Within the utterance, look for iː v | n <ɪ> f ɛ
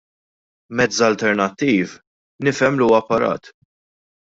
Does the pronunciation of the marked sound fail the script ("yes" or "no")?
no